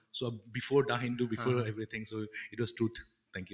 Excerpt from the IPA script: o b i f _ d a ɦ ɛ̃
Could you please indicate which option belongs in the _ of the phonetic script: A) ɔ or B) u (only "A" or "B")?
A